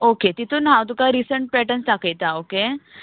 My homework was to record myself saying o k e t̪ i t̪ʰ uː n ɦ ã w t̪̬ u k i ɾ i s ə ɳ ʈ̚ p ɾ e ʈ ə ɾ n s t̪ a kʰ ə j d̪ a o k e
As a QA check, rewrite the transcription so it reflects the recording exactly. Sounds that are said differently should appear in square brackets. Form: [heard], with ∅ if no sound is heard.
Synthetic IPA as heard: o k e t̪ i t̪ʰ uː n ɦ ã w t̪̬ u k [a] ɾ i s ə ɳ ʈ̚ p ɾ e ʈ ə [∅] n s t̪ a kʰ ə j [t̪] a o k e